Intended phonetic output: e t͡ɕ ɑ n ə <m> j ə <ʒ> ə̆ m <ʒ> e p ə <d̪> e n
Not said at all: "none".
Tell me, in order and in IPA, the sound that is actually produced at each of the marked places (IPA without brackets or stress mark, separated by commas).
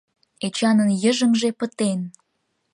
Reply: n, ʒ, ʒ, t̪